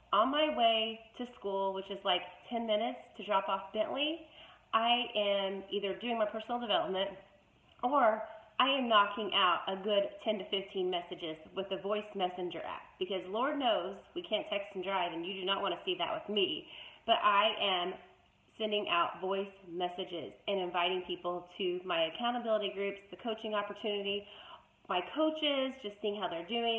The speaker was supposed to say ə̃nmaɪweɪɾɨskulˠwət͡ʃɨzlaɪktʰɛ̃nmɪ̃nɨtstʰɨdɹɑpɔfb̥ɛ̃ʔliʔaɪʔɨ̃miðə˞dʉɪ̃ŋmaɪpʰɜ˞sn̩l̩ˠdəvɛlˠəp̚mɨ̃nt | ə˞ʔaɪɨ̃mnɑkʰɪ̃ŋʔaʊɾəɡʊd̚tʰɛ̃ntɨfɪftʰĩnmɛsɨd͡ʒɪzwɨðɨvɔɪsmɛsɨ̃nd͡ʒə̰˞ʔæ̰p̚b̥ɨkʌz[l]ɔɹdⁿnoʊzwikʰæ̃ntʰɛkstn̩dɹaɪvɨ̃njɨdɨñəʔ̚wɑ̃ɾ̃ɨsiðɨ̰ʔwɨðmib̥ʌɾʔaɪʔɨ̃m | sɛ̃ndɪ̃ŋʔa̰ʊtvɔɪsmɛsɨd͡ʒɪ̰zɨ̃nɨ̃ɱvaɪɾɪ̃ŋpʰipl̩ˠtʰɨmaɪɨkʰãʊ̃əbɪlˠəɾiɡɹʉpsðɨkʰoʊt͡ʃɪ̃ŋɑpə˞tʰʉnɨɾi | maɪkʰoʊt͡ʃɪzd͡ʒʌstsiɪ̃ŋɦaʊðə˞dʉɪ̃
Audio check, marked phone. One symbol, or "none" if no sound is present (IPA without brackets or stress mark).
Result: l